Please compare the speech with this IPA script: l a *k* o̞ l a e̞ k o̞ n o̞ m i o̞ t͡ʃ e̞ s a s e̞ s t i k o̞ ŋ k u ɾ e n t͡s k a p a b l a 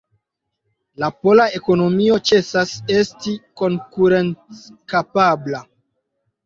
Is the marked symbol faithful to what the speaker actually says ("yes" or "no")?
no